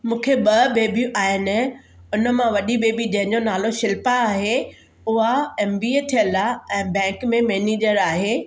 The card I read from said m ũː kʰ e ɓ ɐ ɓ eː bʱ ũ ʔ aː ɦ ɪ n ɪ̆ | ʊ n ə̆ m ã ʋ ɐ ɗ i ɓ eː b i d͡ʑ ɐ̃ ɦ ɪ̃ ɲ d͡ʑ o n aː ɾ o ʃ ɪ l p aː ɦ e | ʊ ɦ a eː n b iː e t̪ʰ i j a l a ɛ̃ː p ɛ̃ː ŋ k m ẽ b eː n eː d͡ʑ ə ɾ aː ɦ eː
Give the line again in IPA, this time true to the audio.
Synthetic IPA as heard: m ũː kʰ e ɓ ɐ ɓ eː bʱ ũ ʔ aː ɦ ɪ n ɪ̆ | ʊ n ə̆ m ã ʋ ɐ ɗ i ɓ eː b i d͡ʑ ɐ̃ ɦ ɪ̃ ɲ d͡ʑ o n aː l o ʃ ɪ l p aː ɦ e | ʊ ɦ a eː m b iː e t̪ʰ i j ə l a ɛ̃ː b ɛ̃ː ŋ k m ẽ m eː n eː d͡ʑ ə ɾ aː ɦ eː